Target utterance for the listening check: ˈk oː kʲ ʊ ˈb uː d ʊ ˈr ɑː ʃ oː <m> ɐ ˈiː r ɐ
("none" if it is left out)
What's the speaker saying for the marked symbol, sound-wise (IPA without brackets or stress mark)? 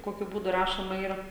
m